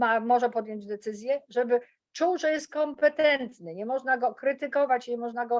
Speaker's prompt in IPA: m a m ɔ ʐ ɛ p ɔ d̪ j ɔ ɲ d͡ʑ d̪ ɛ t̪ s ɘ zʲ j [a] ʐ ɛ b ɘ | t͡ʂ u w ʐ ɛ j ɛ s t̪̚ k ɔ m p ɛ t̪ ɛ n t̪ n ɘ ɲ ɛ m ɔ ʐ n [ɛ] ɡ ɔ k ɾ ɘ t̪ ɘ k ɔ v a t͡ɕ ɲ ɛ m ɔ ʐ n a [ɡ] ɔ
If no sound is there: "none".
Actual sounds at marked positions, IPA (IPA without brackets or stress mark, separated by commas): ɛ, a, ɡ